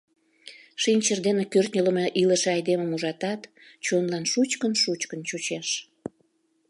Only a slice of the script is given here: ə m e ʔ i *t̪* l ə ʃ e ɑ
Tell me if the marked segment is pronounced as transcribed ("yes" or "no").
no